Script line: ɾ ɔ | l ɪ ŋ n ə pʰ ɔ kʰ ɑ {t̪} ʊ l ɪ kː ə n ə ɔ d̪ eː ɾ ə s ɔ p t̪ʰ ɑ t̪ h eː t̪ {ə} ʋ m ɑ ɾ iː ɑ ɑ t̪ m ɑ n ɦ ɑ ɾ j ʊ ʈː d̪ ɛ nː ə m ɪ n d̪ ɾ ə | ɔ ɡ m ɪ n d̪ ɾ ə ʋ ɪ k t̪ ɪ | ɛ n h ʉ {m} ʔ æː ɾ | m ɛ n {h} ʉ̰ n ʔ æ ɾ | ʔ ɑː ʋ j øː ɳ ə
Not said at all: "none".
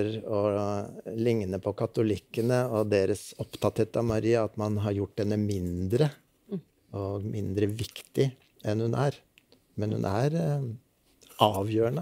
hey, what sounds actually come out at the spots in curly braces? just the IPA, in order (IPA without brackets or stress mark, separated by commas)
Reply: t̪, ɑ, n, h